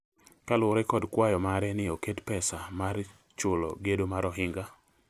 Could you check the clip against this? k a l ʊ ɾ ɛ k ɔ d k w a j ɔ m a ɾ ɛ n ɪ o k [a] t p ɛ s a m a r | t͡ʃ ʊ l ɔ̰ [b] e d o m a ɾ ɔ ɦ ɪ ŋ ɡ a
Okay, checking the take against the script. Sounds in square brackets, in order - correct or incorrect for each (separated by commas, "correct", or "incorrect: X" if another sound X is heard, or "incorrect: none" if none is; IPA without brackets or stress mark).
incorrect: e, incorrect: ɡ